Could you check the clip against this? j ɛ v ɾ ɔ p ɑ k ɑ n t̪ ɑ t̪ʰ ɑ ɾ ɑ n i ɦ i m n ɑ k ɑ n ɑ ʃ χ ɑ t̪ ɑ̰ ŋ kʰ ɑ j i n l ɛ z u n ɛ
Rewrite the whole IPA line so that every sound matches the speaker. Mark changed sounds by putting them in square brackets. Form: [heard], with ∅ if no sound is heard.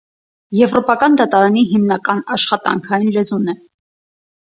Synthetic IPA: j ɛ v ɾ ɔ p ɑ k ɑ n [d̪] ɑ [t̪] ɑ ɾ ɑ n i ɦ i m n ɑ k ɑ n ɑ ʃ χ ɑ t̪ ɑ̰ ŋ kʰ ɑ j i n l ɛ z u n ɛ

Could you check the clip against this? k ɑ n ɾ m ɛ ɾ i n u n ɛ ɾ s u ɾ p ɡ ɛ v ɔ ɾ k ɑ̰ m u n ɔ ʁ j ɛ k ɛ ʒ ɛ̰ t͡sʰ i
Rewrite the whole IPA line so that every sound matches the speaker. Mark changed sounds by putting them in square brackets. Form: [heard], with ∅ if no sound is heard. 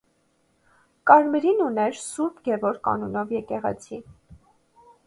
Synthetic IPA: k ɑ [∅] ɾ m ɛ ɾ i n u n ɛ ɾ s u ɾ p ɡ ɛ v ɔ ɾ k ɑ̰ [n] u n ɔ [v] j ɛ k ɛ [ʁ] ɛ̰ t͡sʰ i

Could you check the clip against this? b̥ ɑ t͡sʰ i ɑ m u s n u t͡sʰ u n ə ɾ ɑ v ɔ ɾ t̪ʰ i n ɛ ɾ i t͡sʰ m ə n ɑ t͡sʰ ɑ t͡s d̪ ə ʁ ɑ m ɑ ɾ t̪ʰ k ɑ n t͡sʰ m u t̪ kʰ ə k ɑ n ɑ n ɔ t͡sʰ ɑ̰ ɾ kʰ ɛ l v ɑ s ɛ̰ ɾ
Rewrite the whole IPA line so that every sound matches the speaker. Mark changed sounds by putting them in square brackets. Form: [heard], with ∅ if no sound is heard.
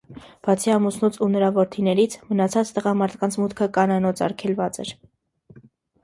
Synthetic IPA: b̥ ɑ t͡sʰ i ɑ m u s n u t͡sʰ u n ə ɾ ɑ v ɔ ɾ t̪ʰ i n ɛ ɾ i t͡sʰ m ə n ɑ t͡sʰ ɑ t͡s [t̪] ə ʁ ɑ m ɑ ɾ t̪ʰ k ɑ n t͡sʰ m u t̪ kʰ ə k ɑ n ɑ n ɔ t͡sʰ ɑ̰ ɾ kʰ ɛ l v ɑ [t͡s] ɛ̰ ɾ

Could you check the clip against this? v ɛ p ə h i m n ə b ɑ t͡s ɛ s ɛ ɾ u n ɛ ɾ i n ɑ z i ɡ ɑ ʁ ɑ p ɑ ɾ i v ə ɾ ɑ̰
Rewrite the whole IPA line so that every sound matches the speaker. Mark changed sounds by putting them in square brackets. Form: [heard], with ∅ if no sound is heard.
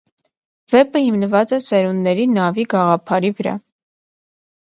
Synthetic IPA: v ɛ p ə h i m n ə [v] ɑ t͡s ɛ s ɛ ɾ u [nː] ɛ ɾ i n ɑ [v] i ɡ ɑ ʁ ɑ [pʰ] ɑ ɾ i v ə ɾ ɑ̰

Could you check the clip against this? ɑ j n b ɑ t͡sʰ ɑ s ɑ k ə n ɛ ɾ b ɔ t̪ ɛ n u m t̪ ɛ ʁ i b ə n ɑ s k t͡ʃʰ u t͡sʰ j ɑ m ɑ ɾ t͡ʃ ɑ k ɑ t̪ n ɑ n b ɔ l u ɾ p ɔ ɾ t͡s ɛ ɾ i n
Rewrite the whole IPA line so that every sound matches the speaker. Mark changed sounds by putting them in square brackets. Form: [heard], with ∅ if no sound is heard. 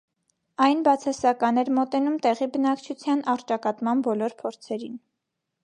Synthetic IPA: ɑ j n b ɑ t͡sʰ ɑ s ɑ k [ɑ] n ɛ ɾ [m] ɔ t̪ ɛ n u m t̪ ɛ ʁ i b ə n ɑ [∅] k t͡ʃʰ u t͡sʰ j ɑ [n] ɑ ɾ t͡ʃ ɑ k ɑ t̪ [m] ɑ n b ɔ l [ɔ] ɾ [pʰ] ɔ ɾ [t͡sʰ] ɛ ɾ i n

